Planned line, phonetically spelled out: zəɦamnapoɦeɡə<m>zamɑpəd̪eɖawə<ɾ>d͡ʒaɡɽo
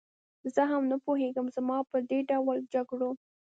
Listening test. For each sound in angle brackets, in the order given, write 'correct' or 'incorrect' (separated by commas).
correct, incorrect